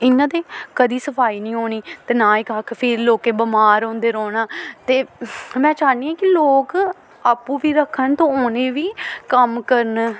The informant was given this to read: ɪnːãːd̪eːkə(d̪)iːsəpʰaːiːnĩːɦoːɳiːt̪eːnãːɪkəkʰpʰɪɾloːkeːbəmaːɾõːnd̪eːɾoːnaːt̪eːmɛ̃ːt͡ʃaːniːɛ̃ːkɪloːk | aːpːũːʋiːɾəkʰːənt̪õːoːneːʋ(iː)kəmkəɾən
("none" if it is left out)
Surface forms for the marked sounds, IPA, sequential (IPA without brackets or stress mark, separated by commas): d̪, iː